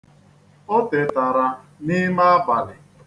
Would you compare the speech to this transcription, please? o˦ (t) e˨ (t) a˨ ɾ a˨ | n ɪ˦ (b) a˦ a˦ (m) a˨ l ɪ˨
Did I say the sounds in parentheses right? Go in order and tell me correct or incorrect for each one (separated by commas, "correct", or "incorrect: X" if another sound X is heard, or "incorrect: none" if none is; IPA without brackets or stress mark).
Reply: correct, correct, incorrect: m, incorrect: b